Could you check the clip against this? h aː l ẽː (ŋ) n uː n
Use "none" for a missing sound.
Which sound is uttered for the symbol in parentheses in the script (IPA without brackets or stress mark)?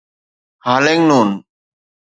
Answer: ŋ